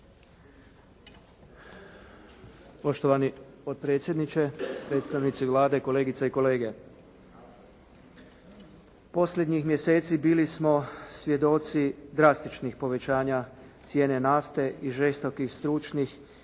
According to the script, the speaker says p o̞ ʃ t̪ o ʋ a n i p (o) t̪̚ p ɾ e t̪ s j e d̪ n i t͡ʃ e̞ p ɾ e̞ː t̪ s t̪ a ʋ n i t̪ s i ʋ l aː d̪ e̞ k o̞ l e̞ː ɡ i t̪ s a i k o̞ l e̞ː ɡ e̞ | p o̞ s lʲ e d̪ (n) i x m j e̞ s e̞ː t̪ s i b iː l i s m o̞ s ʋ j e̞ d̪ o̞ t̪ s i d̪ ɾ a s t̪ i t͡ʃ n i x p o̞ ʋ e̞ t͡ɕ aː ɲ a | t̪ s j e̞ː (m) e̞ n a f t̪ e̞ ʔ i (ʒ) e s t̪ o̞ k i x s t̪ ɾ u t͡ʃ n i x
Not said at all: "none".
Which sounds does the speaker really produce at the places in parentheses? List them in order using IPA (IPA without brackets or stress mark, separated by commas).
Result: o, ɲ, n, ʒ